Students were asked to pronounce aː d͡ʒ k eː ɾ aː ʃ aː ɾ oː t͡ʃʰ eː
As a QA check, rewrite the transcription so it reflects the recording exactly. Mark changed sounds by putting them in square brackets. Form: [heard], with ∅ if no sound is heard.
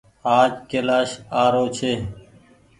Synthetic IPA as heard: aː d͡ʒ k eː [l] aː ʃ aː ɾ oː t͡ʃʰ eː